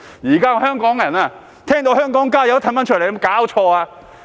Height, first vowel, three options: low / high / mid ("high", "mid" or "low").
high